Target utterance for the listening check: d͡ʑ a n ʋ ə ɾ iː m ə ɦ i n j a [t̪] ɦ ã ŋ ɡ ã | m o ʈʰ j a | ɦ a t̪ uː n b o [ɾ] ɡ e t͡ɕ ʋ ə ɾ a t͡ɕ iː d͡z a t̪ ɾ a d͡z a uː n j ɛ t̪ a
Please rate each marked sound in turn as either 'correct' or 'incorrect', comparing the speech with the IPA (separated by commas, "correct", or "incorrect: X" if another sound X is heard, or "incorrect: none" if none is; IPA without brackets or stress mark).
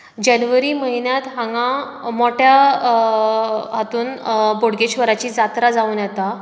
correct, incorrect: ɽ